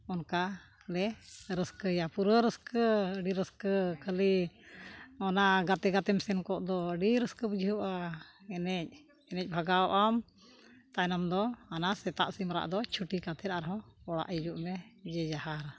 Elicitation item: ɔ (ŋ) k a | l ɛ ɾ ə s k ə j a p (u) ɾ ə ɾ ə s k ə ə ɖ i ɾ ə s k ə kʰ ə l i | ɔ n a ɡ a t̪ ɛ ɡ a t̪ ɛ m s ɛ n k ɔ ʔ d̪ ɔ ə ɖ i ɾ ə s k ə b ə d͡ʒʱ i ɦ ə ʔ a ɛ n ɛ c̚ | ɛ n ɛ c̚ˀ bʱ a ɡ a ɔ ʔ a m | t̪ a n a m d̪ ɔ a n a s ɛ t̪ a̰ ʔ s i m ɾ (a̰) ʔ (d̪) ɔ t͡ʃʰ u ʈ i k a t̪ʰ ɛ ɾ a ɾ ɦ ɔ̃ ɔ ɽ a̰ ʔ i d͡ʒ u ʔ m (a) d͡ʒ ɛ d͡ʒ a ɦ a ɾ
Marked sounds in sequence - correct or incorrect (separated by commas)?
incorrect, correct, correct, correct, incorrect